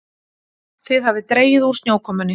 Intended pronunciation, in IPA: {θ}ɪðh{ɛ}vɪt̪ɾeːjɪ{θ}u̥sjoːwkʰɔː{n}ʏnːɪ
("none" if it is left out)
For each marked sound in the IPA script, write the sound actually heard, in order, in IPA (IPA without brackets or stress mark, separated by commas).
θ, a, ð, m